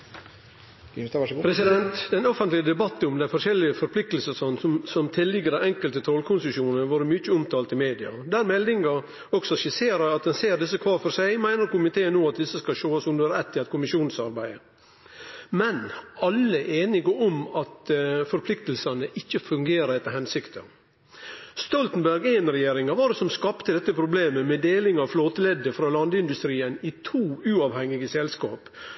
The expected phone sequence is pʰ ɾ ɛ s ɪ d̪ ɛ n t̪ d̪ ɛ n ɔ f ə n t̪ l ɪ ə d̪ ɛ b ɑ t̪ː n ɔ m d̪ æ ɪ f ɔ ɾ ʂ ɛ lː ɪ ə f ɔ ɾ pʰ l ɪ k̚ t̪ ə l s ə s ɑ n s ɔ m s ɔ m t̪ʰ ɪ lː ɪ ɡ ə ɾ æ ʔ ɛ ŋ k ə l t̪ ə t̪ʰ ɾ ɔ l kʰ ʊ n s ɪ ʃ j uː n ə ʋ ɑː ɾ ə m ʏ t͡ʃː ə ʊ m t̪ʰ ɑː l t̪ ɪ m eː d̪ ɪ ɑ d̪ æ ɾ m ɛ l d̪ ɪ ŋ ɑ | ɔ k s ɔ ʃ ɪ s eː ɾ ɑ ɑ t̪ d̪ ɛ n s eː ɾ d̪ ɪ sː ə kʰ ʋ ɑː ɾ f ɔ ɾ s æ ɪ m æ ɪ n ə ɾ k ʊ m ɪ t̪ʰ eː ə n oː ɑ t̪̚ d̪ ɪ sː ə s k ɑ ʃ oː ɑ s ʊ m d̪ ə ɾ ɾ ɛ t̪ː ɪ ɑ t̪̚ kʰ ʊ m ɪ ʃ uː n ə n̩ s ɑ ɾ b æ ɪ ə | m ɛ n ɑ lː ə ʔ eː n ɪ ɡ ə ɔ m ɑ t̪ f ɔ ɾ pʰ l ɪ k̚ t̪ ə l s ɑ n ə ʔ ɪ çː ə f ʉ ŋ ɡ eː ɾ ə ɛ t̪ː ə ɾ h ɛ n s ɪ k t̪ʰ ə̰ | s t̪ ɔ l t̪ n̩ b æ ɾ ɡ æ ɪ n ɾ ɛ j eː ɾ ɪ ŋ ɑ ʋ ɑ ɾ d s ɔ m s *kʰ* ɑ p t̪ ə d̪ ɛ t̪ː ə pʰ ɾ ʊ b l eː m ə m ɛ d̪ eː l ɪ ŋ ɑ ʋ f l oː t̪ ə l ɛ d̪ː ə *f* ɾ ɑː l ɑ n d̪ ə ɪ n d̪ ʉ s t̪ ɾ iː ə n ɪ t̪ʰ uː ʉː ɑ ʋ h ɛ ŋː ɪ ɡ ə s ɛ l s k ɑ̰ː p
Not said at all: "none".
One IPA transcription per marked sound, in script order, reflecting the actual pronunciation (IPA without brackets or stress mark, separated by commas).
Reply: k, f